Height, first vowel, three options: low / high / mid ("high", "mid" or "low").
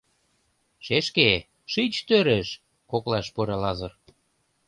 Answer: mid